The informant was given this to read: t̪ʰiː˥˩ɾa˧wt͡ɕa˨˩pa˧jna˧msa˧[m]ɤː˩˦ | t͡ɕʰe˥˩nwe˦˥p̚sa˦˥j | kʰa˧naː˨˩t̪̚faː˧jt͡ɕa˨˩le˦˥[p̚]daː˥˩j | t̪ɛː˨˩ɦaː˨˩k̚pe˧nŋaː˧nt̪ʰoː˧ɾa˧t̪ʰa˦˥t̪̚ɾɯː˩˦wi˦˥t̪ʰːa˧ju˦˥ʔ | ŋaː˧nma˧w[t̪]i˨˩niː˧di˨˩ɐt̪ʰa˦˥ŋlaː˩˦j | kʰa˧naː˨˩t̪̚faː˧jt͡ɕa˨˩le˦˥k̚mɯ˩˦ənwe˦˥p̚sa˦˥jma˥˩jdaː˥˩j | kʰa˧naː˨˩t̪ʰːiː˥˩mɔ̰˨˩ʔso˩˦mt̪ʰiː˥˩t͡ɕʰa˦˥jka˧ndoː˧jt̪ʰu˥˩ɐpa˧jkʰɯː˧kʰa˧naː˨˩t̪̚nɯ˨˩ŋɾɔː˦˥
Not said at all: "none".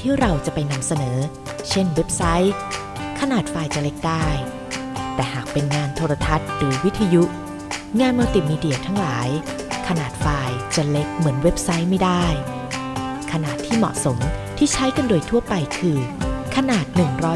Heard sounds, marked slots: n, k̚, t̪

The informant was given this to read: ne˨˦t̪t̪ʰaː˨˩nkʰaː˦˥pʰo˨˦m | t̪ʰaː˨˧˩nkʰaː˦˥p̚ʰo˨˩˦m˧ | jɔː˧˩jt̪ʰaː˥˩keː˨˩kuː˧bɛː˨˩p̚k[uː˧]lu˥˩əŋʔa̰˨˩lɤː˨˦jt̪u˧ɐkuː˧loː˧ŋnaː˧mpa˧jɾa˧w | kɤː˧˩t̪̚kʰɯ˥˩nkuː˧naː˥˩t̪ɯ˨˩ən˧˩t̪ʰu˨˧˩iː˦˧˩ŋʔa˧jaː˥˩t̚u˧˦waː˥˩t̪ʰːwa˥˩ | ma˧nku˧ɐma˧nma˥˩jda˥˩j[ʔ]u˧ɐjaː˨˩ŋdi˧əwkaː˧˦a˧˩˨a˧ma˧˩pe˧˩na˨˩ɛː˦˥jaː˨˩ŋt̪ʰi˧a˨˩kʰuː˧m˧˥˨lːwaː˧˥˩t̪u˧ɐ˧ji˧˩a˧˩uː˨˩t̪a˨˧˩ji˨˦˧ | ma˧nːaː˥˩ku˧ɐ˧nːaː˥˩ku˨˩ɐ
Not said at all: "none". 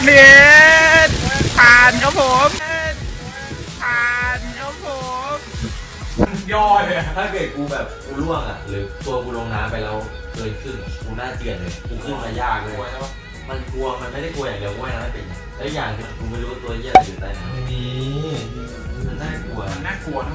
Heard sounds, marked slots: uː˧, k

